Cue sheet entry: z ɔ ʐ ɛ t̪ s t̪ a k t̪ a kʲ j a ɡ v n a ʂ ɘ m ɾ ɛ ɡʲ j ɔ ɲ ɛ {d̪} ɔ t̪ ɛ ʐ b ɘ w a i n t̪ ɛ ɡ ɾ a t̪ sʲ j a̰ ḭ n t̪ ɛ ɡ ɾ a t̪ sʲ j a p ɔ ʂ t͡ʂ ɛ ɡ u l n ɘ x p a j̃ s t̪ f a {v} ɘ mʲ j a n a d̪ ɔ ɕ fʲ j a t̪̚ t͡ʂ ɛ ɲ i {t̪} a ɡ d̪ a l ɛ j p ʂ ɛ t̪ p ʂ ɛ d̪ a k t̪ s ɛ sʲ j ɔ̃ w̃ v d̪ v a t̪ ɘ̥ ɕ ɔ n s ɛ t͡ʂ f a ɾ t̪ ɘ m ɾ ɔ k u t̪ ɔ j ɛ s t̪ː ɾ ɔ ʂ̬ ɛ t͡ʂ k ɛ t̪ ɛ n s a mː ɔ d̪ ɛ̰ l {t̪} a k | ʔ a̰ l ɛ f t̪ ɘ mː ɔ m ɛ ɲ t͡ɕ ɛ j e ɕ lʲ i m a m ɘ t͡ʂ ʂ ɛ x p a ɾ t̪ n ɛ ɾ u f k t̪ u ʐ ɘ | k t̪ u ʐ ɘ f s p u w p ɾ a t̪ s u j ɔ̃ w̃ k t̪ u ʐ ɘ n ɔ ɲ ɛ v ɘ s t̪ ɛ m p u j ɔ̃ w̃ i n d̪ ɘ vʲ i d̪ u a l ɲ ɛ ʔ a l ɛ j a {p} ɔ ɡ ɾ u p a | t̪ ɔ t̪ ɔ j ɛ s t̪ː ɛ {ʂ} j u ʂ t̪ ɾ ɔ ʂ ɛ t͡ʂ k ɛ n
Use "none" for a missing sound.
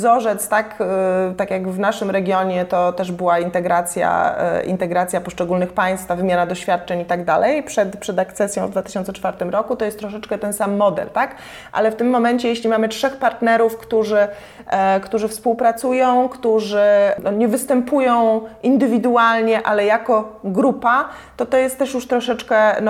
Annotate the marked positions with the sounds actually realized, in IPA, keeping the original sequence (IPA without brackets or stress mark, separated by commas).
t̪, v, t̪, t̪, k, ʂ